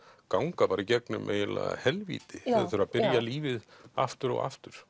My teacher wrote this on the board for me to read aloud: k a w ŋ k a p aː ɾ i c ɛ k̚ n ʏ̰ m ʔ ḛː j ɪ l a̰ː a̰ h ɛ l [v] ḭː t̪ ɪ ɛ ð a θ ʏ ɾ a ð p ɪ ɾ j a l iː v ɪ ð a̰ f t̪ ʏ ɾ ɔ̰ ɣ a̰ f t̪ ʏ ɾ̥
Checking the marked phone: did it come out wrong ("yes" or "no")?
no